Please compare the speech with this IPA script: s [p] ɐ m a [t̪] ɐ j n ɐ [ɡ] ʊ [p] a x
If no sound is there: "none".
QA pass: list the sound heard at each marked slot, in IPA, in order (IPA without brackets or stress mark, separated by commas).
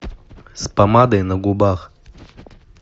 p, d̪, ɡ, b